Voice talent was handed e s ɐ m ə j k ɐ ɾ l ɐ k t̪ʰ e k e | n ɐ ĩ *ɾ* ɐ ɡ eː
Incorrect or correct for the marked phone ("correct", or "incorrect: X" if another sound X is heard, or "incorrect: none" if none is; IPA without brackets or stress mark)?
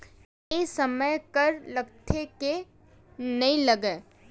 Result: incorrect: l